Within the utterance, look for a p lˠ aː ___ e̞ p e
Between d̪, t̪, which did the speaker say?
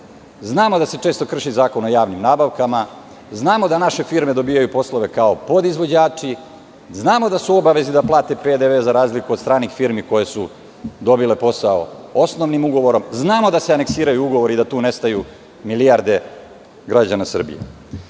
t̪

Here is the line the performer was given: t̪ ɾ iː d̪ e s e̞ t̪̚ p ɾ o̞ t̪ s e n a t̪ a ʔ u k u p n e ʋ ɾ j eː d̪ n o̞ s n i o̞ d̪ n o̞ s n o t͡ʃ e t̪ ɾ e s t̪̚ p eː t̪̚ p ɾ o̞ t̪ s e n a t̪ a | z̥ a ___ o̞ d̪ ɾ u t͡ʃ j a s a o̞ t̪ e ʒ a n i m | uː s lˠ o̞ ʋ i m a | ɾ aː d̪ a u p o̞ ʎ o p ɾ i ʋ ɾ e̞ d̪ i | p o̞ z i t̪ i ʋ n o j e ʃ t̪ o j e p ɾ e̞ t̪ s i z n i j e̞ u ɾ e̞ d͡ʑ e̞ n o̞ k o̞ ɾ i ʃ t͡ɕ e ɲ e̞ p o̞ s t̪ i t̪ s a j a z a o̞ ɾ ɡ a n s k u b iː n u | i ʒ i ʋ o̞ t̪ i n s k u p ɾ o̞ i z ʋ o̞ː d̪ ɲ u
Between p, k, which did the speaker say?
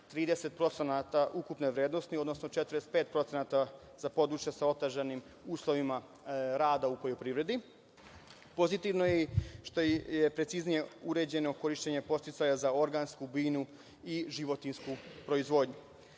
p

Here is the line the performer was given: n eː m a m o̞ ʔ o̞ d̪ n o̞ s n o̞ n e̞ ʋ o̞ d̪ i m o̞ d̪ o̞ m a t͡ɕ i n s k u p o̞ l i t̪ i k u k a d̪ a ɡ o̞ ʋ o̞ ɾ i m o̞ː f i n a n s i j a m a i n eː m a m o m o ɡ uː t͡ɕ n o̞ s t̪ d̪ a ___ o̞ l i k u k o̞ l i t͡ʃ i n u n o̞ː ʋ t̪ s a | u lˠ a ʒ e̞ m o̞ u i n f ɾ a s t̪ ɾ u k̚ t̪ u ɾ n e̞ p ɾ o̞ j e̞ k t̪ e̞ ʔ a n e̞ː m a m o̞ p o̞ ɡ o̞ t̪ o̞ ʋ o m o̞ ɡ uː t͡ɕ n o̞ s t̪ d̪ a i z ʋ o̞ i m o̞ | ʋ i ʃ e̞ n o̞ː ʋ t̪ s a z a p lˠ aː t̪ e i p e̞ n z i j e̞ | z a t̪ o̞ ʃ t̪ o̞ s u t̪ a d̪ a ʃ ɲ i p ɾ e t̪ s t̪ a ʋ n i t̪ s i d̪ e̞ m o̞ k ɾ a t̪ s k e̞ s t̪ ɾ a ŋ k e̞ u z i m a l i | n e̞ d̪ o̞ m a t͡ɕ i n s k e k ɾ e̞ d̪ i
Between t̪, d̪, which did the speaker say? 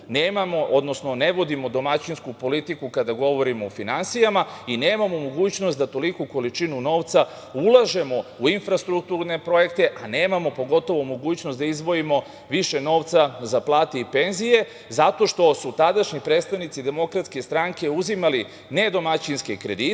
t̪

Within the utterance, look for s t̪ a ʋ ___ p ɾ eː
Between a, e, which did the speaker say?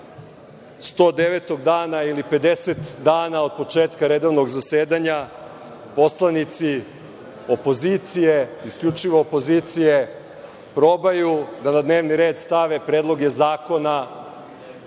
e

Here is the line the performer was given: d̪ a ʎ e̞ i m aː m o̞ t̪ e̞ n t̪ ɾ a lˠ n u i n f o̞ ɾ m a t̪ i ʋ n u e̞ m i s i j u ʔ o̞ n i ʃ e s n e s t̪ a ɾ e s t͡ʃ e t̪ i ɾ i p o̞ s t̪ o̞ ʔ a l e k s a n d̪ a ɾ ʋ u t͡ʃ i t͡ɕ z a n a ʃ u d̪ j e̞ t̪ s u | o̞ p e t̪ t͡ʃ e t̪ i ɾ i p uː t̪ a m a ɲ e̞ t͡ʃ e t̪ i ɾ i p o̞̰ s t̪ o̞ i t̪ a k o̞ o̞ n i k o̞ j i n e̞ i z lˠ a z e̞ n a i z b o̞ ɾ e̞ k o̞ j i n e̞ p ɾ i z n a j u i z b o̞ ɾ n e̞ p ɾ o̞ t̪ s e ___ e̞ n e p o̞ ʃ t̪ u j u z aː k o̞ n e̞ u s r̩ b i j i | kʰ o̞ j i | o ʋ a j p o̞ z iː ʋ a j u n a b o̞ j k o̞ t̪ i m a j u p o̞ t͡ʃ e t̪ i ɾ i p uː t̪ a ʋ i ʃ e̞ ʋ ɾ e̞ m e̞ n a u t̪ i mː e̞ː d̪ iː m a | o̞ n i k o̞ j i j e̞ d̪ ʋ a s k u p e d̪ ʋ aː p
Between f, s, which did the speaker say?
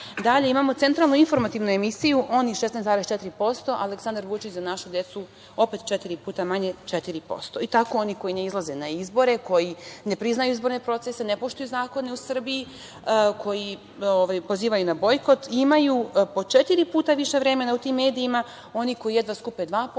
s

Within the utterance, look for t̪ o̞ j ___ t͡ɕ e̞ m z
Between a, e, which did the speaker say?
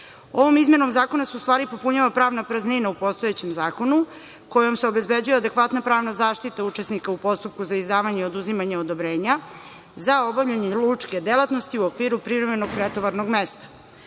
e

